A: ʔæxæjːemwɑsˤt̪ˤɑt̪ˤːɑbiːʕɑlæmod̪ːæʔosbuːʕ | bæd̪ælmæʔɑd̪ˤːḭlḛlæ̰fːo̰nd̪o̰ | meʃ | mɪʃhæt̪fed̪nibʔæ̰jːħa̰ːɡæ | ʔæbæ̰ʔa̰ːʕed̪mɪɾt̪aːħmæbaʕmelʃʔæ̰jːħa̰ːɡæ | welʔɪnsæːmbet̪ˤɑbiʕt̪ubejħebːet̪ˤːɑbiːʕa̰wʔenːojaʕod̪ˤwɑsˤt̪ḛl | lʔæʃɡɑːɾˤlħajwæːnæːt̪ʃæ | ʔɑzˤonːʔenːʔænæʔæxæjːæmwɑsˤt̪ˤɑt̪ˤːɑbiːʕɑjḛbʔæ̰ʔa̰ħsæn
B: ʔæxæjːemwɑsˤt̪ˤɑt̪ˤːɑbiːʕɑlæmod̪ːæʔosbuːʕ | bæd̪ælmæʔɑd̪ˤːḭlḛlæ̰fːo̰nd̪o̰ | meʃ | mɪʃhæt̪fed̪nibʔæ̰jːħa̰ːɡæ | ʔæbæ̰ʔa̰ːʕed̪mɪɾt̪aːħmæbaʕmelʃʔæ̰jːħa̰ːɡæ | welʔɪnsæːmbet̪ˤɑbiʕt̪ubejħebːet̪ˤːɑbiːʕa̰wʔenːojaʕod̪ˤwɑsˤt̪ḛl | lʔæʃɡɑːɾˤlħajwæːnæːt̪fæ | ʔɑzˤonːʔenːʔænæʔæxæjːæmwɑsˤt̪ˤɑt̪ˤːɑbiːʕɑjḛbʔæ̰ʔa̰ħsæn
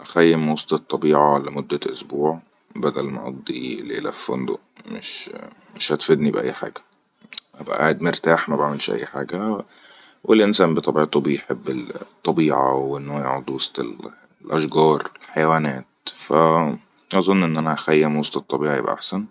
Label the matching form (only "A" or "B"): B